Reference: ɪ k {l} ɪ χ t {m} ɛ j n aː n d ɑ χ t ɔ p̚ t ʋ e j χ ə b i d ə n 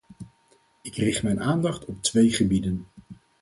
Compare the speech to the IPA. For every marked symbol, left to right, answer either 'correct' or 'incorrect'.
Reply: incorrect, correct

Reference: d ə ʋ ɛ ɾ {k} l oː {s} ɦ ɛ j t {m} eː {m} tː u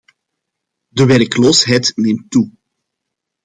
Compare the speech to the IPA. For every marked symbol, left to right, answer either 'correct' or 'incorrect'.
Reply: correct, correct, incorrect, correct

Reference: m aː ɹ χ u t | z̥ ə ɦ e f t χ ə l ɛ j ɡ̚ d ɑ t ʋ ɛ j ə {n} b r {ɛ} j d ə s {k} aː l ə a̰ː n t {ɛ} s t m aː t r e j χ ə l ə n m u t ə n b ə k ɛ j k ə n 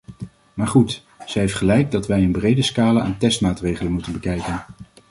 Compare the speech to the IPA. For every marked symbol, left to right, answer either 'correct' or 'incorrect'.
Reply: correct, incorrect, correct, correct

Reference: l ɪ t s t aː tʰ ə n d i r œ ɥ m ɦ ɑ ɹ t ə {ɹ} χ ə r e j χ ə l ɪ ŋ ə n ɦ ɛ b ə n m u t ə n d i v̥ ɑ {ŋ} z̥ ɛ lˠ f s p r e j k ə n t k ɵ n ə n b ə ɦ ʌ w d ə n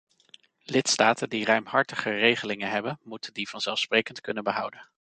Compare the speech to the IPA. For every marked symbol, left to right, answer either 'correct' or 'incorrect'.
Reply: incorrect, incorrect

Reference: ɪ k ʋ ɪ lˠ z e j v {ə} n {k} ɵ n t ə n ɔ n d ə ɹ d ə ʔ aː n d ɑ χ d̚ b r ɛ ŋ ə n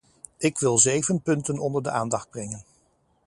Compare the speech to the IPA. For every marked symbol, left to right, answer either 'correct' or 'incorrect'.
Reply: correct, incorrect

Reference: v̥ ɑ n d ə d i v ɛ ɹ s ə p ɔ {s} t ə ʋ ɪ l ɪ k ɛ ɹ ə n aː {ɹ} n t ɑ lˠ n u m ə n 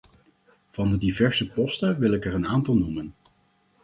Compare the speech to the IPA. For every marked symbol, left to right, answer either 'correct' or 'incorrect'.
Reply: correct, incorrect

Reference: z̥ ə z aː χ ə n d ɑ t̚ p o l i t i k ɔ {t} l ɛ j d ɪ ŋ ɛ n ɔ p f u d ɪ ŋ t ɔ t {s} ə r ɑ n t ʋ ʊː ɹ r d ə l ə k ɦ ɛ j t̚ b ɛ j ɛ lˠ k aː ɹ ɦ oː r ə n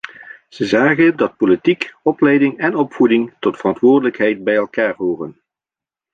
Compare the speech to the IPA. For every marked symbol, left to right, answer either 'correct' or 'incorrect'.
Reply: incorrect, incorrect

